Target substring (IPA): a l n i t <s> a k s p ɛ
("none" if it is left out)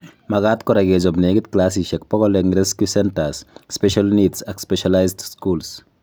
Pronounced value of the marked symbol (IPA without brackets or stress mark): s